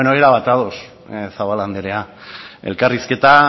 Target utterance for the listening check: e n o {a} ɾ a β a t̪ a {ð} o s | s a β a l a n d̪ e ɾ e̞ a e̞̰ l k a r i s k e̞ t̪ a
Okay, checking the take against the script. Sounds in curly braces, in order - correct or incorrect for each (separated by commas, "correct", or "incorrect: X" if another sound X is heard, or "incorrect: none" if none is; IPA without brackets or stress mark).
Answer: incorrect: e, correct